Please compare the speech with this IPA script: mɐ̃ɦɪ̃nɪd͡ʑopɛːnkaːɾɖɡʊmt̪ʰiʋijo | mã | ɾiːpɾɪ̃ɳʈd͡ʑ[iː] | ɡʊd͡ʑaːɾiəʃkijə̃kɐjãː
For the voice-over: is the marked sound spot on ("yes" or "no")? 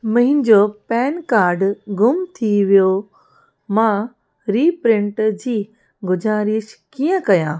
yes